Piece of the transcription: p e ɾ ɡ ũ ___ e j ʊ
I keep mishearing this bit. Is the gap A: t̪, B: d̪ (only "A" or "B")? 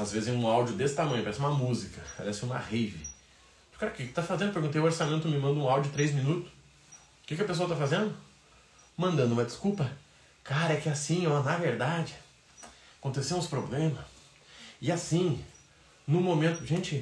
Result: A